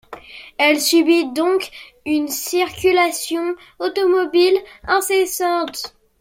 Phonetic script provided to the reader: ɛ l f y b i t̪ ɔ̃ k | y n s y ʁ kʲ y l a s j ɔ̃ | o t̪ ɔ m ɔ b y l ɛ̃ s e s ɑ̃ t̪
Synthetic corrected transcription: ɛ l s y b i d̪ ɔ̃ k | y n s i ʁ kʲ y l a s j ɔ̃ | o t̪ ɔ m ɔ b i l ɛ̃ s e s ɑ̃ t̪